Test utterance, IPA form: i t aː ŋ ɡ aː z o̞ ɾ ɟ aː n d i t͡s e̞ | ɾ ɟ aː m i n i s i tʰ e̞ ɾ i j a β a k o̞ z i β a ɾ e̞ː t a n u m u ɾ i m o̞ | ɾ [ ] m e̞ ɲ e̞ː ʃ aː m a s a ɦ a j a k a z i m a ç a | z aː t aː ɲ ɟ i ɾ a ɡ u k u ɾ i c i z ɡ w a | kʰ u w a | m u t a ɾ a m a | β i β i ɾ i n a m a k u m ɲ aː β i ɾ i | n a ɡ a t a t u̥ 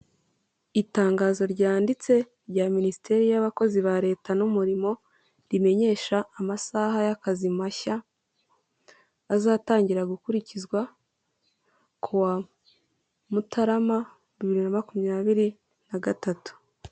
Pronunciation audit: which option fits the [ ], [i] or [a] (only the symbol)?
i